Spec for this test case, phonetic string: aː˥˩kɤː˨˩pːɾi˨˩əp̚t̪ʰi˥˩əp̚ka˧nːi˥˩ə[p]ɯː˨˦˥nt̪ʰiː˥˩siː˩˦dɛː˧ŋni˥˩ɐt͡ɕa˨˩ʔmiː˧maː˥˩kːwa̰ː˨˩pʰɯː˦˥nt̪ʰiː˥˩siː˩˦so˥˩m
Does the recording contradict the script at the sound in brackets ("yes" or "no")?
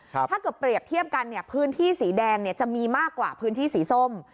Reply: yes